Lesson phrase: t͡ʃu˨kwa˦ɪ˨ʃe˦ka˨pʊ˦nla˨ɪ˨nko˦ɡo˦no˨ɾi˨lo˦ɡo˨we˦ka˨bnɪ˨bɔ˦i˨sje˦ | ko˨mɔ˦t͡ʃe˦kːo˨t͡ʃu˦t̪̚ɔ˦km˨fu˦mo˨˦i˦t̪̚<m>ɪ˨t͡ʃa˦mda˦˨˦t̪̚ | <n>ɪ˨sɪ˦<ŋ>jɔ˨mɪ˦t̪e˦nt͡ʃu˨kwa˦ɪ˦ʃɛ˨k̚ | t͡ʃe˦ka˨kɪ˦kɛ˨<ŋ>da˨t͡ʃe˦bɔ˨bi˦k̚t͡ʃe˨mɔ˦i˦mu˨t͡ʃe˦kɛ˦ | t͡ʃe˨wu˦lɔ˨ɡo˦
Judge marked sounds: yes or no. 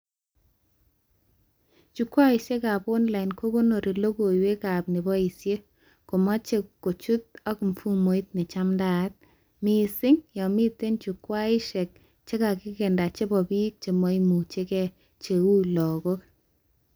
no, no, yes, no

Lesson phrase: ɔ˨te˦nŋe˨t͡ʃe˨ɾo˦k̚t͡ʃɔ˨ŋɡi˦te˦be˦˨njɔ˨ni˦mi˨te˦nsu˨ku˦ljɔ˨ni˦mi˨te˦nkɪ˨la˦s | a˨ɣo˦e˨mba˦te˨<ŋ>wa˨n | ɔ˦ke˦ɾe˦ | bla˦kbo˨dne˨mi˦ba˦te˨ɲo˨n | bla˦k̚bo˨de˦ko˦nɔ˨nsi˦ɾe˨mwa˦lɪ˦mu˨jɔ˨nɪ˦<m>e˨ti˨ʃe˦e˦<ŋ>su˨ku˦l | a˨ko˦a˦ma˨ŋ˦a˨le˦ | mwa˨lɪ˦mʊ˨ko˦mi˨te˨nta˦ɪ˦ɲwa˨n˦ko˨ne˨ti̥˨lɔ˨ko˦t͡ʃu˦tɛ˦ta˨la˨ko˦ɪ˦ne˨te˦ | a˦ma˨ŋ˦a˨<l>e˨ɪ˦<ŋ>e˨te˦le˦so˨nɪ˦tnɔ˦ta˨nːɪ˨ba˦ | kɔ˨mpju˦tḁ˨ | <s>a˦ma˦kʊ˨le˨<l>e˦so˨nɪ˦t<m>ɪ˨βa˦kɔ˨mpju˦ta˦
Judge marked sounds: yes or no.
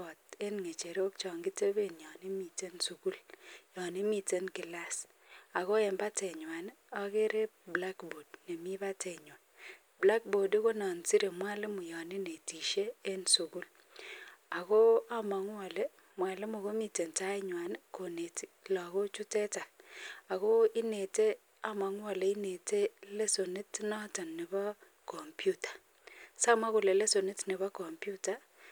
no, no, no, yes, no, yes, yes, no

